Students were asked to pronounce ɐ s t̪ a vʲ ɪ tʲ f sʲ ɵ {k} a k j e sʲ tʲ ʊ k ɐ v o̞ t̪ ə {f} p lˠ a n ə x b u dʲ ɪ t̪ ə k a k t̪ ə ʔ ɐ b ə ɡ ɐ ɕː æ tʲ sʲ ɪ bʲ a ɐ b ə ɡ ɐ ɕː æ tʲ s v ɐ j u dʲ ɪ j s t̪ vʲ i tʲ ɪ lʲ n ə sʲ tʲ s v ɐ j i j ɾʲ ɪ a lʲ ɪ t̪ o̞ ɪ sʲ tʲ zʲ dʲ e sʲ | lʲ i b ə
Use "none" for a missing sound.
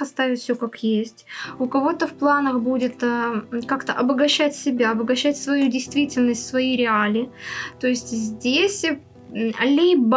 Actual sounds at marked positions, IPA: k, f

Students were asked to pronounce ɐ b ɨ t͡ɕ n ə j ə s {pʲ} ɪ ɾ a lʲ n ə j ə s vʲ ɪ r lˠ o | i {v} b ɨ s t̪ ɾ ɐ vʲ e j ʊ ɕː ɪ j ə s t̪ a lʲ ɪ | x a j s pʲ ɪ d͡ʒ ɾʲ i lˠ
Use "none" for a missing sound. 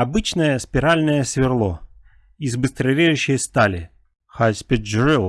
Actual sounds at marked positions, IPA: pʲ, z

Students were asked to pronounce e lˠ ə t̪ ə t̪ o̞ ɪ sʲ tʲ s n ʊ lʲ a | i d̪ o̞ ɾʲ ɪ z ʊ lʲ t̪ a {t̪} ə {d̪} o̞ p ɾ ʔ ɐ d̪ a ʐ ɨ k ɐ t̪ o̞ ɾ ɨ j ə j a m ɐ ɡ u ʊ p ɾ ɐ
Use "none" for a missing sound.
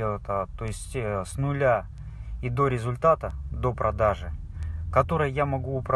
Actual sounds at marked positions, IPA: t̪, d̪

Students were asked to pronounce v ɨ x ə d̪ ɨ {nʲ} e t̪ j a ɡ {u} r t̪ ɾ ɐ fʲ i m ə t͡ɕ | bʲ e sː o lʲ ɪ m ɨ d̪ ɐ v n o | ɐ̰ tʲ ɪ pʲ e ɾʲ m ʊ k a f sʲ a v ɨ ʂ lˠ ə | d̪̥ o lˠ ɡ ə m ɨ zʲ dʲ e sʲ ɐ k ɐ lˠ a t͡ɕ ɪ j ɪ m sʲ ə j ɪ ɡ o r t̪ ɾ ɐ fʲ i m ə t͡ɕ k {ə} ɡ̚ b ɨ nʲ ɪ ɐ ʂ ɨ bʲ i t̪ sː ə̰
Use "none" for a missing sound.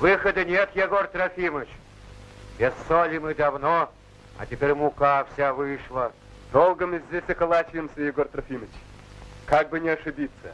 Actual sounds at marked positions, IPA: nʲ, o, a

